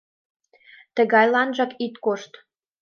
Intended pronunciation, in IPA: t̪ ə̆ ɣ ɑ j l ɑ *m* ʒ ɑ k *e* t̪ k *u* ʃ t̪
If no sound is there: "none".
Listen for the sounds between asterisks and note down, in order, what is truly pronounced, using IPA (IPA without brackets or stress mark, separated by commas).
n, i, o